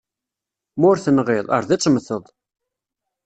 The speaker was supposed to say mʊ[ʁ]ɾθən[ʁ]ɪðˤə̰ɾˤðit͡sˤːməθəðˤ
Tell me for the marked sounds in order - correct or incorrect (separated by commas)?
incorrect, correct